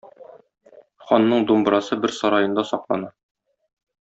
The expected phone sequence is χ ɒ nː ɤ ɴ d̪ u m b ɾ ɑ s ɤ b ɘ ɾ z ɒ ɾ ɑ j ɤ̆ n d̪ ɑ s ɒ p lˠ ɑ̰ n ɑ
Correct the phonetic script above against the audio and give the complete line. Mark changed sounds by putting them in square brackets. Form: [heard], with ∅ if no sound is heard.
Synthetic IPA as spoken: χ ɒ nː ɤ ɴ d̪ u m b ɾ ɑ s ɤ b ɘ ɾ [s] ɒ ɾ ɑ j ɤ̆ n d̪ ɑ s ɒ [q] lˠ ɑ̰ n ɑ